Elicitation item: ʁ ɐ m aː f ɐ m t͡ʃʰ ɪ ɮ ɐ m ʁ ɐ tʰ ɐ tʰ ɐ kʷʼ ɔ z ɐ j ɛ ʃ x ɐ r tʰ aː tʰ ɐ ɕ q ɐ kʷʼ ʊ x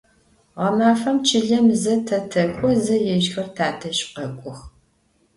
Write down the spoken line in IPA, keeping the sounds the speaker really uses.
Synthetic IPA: ʁ ɐ m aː f ɐ m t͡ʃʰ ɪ ɮ ɐ m z ɐ tʰ ɐ tʰ ɐ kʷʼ ɔ z ɐ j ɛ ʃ x ɐ r tʰ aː tʰ ɐ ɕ q ɐ kʷʼ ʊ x

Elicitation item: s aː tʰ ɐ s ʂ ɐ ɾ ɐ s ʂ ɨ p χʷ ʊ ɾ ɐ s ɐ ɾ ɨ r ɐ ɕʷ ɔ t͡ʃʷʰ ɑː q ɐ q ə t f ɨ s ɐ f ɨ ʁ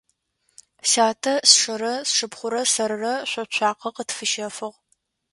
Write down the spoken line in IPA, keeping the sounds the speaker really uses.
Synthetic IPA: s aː tʰ ɐ s ʂ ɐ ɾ ɐ s ʂ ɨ p χʷ ʊ ɾ ɐ s ɐ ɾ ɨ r ɐ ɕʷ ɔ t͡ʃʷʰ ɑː q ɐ q ə t f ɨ ʃ ɐ f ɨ ʁ

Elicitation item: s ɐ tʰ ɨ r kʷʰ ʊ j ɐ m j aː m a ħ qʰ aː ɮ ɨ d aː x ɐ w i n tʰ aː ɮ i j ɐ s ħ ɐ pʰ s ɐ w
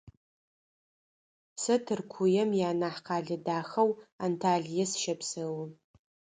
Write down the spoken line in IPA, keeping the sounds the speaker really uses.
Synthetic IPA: s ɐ tʰ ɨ r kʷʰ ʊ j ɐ m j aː n a ħ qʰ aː ɮ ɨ d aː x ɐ w a n tʰ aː ɮ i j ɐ s ʃ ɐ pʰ s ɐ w

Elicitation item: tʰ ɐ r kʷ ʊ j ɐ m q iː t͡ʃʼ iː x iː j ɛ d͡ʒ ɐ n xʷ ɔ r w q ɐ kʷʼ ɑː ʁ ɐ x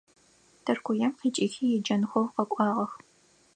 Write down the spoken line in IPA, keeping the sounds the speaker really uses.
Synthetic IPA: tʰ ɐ r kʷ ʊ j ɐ m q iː t͡ʃʼ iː x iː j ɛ d͡ʒ ɐ n xʷ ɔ w q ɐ kʷʼ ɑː ʁ ɐ x

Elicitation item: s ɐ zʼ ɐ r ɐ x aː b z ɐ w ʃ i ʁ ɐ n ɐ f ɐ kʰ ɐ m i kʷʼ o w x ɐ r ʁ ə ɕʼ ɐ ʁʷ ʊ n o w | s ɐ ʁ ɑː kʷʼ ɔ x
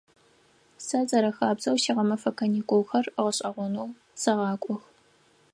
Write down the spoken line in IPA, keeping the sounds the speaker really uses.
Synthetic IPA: s ɐ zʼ ɐ ɾ ɐ x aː b z ɐ w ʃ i ʁ ɐ m ɐ f ɐ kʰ ɐ n i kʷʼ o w x ɐ r ʁ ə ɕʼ ɐ ʁʷ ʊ n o w | s ɐ ʁ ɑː kʷʼ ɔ x

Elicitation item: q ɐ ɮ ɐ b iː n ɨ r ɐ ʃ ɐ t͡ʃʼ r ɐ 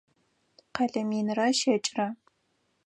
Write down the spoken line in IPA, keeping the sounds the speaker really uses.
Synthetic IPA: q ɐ ɮ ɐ m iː n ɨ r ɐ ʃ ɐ t͡ʃʼ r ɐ

